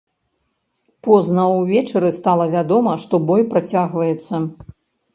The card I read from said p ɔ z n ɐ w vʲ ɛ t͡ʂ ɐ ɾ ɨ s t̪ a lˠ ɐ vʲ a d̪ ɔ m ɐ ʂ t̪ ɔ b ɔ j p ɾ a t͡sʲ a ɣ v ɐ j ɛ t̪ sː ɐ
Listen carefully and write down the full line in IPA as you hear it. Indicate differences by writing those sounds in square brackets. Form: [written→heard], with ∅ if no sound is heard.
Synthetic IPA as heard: p ɔ z n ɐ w vʲ ɛ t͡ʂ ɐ ɾ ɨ s t̪ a lˠ ɐ vʲ a d̪ ɔ m ɐ ʂ t̪ ɔ b ɔ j p ɾ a t͡sʲ a ɣ v ɐ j ɛ t̪ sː ɐ